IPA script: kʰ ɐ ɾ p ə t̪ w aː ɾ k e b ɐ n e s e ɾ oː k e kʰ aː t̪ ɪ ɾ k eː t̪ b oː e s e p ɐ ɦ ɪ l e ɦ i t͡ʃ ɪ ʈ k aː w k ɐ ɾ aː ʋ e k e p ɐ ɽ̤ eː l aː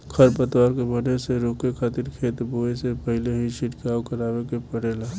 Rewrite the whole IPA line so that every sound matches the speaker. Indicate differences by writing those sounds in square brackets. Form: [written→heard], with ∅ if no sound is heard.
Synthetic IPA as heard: kʰ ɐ ɾ p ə t̪ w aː ɾ k e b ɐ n e s e ɾ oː k e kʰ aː t̪ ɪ ɾ [k→kʰ] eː t̪ b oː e s e p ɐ ɦ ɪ l e ɦ i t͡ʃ ɪ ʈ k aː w k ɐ ɾ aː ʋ e k e p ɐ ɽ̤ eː l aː